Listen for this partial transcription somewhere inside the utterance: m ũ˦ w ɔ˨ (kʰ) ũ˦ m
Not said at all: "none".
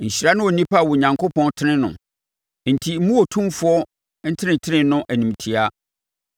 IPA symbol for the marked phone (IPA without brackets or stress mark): tʰ